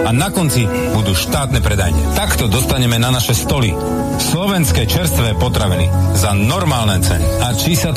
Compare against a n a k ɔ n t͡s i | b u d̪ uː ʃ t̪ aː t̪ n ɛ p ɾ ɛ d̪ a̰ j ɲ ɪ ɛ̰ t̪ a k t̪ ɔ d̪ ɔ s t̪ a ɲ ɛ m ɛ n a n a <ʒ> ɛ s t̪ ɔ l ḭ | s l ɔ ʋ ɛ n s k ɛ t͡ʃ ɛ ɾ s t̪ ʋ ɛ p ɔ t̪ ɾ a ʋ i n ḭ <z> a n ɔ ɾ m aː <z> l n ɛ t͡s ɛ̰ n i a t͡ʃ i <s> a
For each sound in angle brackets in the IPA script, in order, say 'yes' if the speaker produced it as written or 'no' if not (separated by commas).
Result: no, yes, no, yes